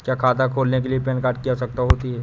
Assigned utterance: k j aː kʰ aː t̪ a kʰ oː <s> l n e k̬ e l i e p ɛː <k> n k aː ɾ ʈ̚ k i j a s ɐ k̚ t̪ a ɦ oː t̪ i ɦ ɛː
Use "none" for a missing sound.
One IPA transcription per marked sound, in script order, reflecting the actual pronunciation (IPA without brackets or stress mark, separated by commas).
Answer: none, none